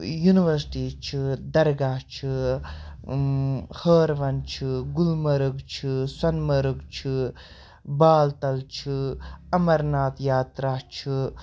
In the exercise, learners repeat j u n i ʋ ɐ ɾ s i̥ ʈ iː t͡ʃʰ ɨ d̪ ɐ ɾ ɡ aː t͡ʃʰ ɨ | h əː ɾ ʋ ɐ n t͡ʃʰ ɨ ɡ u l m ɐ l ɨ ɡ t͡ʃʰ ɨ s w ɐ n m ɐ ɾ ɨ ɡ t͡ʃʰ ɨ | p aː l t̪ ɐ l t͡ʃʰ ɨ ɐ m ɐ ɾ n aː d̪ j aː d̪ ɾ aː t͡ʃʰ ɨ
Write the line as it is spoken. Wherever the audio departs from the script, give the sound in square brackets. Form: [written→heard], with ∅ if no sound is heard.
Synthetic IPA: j u n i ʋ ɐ ɾ s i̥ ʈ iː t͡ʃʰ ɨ d̪ ɐ ɾ ɡ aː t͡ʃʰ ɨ | h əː ɾ ʋ ɐ n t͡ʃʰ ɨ ɡ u l m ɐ [l→ɾ] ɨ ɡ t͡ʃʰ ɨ s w ɐ n m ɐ ɾ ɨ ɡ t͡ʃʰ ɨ | [p→b] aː l t̪ ɐ l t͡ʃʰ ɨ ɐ m ɐ ɾ n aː [d̪→t̪] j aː [d̪→t̪] ɾ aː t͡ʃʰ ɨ